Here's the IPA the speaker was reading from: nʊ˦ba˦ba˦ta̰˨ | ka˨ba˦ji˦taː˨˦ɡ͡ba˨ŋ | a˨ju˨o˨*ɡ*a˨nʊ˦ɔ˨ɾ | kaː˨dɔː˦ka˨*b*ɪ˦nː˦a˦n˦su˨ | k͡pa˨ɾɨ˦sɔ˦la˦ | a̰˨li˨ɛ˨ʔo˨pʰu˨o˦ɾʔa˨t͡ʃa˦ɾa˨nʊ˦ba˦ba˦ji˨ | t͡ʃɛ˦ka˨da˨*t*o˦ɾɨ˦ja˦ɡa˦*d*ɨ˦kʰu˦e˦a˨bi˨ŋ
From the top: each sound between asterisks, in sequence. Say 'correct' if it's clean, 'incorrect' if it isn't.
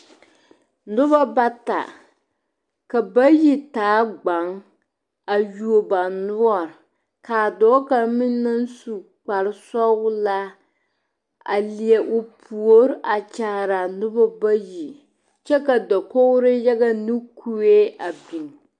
incorrect: b, incorrect: m, incorrect: k, incorrect: n

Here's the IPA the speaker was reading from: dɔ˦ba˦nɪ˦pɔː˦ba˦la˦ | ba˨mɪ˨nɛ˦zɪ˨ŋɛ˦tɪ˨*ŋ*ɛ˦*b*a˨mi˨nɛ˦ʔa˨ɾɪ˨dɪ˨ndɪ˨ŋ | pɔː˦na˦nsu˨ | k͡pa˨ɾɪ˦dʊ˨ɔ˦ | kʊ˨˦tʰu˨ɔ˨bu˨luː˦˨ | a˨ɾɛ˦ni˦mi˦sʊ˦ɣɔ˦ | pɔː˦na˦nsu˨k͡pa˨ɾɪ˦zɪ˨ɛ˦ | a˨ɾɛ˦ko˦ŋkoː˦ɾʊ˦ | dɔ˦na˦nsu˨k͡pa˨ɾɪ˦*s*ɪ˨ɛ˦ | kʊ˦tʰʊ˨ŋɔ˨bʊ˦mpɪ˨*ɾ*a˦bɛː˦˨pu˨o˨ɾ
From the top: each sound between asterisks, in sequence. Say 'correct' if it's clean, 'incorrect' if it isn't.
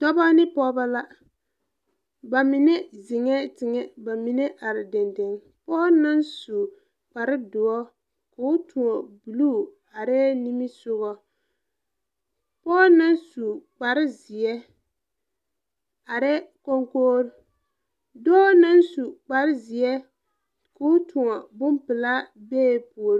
correct, correct, incorrect: z, incorrect: l

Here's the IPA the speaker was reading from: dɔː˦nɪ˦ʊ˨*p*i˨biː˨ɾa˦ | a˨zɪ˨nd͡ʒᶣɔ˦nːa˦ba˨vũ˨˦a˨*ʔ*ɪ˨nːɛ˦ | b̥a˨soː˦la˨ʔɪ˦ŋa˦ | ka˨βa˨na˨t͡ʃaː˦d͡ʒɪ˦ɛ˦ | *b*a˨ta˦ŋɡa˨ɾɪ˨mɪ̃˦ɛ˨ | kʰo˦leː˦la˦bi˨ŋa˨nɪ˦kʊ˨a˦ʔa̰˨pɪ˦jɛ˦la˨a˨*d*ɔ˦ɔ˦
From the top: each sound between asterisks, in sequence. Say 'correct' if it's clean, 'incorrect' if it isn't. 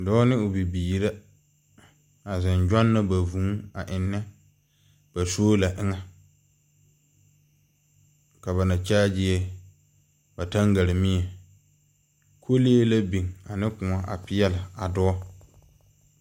incorrect: b, correct, correct, correct

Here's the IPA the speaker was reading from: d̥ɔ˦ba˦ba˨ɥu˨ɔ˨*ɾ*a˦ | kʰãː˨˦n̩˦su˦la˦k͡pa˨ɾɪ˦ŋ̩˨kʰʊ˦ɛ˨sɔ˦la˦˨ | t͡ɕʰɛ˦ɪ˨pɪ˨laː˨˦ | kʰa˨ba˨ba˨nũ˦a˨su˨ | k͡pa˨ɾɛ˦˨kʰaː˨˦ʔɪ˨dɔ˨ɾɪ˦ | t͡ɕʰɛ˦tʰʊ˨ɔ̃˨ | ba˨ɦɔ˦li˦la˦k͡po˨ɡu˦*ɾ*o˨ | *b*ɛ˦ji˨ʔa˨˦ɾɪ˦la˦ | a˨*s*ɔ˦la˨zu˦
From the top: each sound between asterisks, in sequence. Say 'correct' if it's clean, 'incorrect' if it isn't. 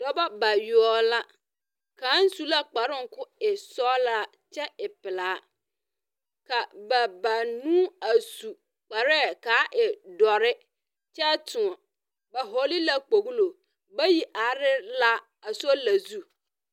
incorrect: l, incorrect: l, correct, correct

